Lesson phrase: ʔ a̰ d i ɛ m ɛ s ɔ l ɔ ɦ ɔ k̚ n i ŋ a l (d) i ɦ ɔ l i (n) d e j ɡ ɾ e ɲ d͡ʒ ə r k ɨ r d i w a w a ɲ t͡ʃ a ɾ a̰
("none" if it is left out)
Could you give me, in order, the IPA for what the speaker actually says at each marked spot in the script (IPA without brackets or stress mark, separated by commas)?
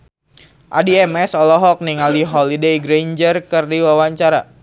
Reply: d, none